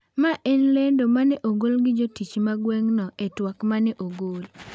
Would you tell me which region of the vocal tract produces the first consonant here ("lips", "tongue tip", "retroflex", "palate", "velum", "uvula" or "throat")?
lips